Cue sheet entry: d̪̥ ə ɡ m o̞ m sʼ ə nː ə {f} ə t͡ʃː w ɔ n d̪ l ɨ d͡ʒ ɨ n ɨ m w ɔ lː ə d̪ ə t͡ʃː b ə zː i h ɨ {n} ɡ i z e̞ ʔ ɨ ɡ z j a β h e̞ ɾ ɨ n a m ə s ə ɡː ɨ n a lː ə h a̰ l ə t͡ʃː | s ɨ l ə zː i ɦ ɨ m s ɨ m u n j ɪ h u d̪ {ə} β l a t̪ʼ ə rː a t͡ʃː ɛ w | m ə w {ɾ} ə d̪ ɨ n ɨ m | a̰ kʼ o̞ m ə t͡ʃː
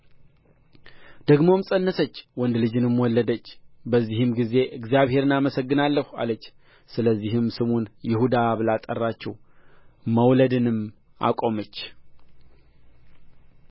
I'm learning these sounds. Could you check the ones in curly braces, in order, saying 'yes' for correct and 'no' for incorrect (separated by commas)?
no, no, no, no